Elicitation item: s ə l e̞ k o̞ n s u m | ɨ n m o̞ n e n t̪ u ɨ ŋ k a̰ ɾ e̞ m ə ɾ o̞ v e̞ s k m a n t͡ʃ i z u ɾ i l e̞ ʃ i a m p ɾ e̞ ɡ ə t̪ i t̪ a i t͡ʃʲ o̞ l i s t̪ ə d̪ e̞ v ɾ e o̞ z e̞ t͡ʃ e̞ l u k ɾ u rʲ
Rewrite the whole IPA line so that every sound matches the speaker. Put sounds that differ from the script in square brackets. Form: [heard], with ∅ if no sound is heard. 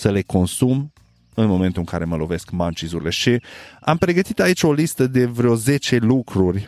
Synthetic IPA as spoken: s ə l e̞ k o̞ n s u m | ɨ n m o̞ [m] e n t̪ u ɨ ŋ k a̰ ɾ e̞ m ə [l] o̞ v e̞ s k m a n t͡ʃ i z u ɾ i l e̞ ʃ i a m p ɾ e̞ ɡ ə t̪ i t̪ a i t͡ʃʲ o̞ l i s t̪ ə d̪ e̞ v ɾ e o̞ z e̞ t͡ʃ e̞ l u k ɾ u rʲ